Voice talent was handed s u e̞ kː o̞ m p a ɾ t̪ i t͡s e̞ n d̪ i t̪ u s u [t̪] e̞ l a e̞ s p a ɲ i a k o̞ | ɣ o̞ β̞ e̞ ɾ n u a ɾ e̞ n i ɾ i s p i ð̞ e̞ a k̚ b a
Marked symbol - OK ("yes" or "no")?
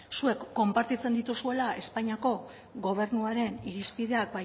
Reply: no